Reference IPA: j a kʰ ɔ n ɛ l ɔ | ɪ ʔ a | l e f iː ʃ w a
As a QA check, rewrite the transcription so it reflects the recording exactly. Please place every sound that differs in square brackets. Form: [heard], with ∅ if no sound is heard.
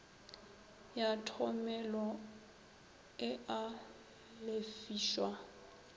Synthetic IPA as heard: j a [tʰ] ɔ [m] ɛ l ɔ | ɪ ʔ a | l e f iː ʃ w a

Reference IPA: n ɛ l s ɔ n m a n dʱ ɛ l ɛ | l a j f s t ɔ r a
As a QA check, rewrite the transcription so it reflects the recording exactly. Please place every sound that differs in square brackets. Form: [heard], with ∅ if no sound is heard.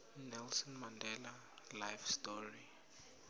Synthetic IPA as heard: n ɛ l s ɔ n m a n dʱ ɛ l [a] | l a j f s t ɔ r [i]

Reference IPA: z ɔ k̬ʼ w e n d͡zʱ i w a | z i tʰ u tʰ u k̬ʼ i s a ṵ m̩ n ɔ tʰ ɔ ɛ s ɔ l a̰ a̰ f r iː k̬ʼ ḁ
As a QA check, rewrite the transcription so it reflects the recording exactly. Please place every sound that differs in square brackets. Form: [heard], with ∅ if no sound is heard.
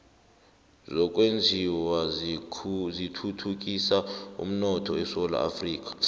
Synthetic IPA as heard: z ɔ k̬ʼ w e n d͡zʱ i w a | z i tʰ u tʰ u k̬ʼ i s a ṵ m̩ n ɔ tʰ ɔ ɛ s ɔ l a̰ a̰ f r iː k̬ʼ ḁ

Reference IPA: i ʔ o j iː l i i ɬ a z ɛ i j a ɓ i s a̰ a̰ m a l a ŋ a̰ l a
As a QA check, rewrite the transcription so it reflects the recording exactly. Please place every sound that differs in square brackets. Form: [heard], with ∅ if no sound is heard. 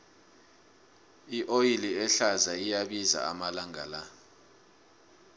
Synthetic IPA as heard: i ʔ o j [i] l i [ɛ] ɬ a z [a] i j a ɓ i [z] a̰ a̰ m a l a ŋ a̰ l a

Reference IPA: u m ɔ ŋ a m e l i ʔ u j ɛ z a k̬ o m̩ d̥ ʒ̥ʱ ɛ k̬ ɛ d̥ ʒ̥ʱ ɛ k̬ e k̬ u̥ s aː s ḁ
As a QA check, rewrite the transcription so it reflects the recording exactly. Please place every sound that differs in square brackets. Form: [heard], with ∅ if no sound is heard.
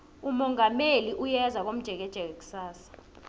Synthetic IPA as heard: u m ɔ ŋ a m e l i ʔ u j ɛ z a k̬ o m̩ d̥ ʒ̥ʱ ɛ k̬ ɛ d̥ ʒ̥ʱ ɛ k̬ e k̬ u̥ s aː s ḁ

